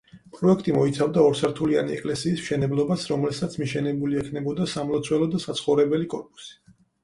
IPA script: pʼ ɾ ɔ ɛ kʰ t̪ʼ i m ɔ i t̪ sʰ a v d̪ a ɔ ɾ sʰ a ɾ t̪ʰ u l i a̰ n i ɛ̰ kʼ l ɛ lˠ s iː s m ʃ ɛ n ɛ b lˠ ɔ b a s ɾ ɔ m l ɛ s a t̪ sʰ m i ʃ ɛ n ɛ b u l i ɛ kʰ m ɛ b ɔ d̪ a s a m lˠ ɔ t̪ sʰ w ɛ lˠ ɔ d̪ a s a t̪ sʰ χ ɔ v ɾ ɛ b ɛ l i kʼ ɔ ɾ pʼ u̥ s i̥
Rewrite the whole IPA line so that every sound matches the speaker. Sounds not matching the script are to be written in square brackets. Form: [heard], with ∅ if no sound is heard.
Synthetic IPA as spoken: pʼ ɾ ɔ ɛ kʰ t̪ʼ i m ɔ i t̪ sʰ a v d̪ a ɔ ɾ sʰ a ɾ t̪ʰ u l i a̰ n i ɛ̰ kʼ l ɛ [∅] s iː s m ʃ ɛ n ɛ b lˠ ɔ b a s ɾ ɔ m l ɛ s a t̪ sʰ m i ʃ ɛ n ɛ b u l i ɛ kʰ [n] ɛ b ɔ d̪ a s a m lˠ ɔ t̪ sʰ w ɛ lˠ ɔ d̪ a s a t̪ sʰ χ ɔ v ɾ ɛ b ɛ l i kʼ ɔ ɾ pʼ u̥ s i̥